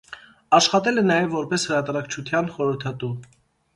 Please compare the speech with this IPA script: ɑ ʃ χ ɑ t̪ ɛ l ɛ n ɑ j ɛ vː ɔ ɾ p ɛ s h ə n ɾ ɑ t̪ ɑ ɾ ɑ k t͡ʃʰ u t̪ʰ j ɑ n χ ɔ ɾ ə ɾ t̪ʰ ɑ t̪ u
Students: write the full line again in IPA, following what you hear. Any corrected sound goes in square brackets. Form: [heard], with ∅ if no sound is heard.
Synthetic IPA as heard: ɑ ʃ χ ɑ t̪ ɛ l ɛ n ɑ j ɛ vː ɔ ɾ p ɛ s h ə [∅] ɾ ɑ t̪ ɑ ɾ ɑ k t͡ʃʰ u t̪ʰ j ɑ n χ ɔ ɾ ə ɾ t̪ʰ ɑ t̪ u